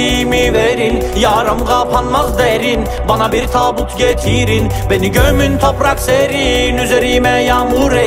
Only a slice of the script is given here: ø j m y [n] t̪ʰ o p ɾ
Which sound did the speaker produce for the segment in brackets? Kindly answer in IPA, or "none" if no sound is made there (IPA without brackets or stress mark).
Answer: n